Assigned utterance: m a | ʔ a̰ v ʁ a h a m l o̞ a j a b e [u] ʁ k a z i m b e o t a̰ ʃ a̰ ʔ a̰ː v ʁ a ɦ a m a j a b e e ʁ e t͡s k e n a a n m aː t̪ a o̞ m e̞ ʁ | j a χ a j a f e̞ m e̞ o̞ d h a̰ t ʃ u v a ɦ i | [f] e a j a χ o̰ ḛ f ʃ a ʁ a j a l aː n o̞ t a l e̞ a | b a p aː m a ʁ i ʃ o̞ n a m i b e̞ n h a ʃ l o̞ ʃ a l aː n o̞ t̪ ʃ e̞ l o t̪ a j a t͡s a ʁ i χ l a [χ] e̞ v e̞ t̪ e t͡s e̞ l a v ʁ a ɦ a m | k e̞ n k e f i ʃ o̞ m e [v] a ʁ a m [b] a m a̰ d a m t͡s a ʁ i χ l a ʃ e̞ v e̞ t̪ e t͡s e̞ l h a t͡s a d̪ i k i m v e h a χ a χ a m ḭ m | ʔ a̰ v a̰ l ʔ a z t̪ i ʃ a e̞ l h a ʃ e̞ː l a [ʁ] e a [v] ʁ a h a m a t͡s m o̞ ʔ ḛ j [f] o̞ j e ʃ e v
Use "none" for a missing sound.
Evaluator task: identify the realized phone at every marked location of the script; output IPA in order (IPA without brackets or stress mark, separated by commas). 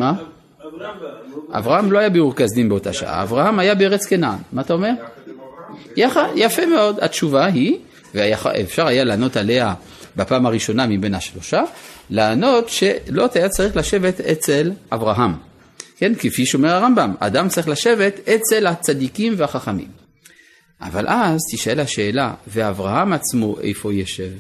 u, v, ʃ, ʁ, b, v, v, f